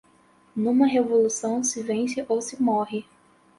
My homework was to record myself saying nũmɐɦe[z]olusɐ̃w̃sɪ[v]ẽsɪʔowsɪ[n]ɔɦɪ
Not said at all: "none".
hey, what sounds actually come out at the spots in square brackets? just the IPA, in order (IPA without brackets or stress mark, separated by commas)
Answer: v, v, m